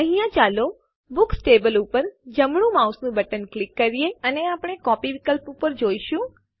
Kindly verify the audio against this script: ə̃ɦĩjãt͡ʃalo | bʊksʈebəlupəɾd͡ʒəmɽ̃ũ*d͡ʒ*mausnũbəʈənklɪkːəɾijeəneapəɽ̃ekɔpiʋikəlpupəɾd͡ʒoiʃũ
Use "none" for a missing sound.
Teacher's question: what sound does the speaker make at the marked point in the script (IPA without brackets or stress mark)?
none